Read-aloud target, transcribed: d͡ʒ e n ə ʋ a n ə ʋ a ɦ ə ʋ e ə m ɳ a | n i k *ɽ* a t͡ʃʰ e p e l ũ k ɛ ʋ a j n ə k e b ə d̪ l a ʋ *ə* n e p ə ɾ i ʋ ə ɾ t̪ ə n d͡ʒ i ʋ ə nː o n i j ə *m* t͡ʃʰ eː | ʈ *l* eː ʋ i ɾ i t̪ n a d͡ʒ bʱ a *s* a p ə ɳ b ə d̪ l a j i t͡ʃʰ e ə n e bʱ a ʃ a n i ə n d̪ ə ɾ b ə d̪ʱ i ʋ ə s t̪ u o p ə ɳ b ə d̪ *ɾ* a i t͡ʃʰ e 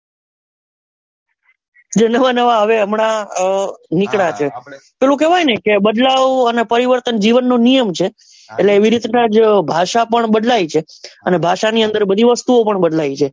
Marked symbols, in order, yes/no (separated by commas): yes, yes, yes, yes, no, no